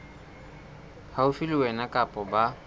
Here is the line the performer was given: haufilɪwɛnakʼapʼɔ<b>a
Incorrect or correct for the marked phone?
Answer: correct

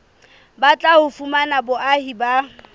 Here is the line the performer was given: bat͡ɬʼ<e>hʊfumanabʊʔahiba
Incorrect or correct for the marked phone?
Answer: incorrect: a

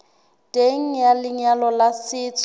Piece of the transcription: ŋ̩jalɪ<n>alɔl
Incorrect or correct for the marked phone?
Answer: incorrect: ɲ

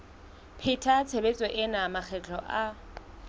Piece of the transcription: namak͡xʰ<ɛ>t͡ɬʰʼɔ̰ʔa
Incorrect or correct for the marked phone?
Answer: correct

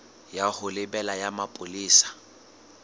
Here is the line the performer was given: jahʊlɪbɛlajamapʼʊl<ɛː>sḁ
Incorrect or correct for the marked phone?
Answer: incorrect: iː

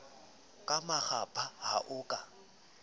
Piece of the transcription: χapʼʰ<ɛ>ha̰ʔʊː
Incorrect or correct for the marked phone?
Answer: incorrect: a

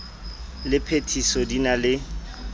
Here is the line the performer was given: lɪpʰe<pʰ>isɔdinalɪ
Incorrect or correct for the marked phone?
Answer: incorrect: tʰ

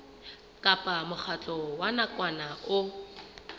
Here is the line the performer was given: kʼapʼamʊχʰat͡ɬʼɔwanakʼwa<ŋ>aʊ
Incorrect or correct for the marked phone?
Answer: incorrect: n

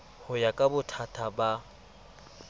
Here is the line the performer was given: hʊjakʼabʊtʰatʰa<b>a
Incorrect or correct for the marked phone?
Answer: correct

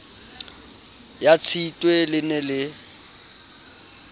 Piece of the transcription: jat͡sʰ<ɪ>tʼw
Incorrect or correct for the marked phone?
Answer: incorrect: i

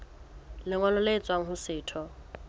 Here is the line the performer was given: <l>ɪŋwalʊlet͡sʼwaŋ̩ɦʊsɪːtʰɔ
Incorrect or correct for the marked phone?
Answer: correct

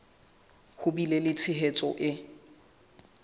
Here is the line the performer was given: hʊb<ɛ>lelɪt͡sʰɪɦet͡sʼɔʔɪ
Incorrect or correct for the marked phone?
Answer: incorrect: i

